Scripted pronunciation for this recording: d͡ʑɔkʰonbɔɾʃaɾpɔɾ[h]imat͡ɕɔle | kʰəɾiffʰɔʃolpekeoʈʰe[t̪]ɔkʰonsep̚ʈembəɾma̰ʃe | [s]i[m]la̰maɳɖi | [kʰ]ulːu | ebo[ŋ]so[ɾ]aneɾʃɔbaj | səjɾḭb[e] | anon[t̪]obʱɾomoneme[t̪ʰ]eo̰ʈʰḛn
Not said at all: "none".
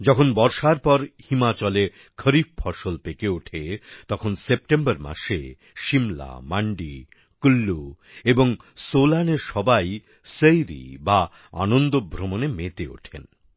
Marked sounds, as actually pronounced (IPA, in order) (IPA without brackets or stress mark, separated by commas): h, t̪, ʃ, m, k, ŋ, l, a, d̪, t̪